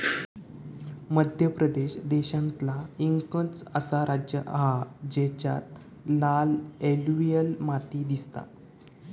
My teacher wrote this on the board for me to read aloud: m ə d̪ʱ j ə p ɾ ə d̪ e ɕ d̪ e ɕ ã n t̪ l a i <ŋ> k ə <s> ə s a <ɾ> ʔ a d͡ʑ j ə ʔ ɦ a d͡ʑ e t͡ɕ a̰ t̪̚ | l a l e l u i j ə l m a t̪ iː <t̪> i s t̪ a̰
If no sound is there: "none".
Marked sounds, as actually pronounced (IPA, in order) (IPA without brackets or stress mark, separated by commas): ŋ, t͡s, ɾ, d̪